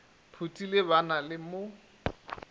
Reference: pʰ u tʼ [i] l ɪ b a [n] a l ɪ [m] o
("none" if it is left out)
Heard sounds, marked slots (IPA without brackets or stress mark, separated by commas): i, n, m